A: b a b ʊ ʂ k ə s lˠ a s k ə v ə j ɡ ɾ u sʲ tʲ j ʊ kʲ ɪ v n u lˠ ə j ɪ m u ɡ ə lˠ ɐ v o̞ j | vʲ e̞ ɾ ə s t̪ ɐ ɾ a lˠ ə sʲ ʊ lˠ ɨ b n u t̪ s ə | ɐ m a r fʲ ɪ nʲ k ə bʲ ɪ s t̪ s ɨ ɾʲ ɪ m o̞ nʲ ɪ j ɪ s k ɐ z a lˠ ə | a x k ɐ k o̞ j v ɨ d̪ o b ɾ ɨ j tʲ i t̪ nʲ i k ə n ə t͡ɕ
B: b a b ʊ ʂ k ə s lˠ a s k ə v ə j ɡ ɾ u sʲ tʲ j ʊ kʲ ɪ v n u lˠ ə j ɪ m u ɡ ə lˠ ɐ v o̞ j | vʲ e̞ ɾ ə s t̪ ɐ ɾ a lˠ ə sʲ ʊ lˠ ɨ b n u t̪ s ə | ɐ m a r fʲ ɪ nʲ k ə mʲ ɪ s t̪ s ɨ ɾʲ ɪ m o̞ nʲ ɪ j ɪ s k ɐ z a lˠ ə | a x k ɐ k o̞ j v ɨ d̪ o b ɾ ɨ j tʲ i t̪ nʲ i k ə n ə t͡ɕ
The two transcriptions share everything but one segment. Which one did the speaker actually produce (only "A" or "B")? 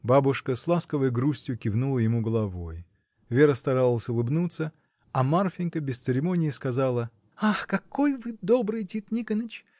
A